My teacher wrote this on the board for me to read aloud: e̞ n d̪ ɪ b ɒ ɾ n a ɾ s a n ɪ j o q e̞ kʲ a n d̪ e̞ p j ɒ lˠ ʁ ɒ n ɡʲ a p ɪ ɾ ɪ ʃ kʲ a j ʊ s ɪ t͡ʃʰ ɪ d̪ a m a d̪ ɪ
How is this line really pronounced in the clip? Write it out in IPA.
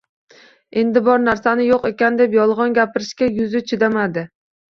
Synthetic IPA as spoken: e̞ n d̪ ɪ b ɒ ɾ n a ɾ s a n ɪ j o q e̞ kʲ a n d̪ e̞ p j ɒ lˠ ʁ ɒ n ɡʲ a p ɪ ɾ ɪ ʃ kʲ a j ʊ z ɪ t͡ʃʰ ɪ d̪ a m a d̪ ɪ